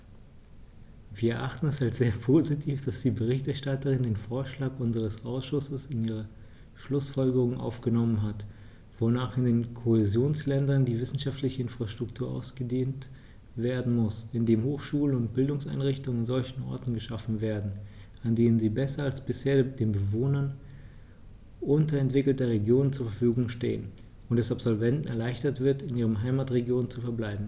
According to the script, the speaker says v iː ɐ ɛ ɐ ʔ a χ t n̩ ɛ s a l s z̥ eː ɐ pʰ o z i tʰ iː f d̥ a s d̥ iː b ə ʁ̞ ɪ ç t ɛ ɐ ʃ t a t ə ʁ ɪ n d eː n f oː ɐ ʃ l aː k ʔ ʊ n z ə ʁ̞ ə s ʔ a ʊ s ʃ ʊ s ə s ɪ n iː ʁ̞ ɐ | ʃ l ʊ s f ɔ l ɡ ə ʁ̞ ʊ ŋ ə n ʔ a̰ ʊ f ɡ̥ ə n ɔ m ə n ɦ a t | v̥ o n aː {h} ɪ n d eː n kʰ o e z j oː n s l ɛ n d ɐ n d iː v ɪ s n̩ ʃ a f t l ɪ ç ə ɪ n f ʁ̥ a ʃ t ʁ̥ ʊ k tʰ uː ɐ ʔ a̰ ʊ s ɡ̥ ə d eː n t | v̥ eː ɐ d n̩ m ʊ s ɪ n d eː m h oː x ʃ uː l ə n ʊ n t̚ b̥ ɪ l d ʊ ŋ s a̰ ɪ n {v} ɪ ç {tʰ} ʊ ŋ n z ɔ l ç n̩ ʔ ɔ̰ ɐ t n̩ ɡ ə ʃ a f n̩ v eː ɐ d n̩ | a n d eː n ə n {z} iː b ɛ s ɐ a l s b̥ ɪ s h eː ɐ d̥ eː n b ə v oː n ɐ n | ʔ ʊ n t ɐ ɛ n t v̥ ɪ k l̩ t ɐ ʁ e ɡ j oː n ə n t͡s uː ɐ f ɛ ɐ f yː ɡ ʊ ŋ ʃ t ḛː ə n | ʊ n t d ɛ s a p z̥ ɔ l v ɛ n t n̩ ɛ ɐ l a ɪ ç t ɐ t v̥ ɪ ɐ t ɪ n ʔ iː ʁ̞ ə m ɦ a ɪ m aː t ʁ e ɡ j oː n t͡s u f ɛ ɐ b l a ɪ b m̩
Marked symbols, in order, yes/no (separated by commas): no, no, no, yes